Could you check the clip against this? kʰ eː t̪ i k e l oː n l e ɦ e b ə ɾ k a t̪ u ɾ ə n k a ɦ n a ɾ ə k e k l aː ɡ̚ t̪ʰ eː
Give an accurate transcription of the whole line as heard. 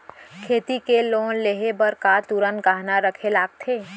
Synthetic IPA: kʰ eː t̪ i k e l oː n l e ɦ e b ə ɾ k a t̪ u ɾ ə n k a ɦ n a ɾ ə kʰ e l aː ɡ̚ t̪ʰ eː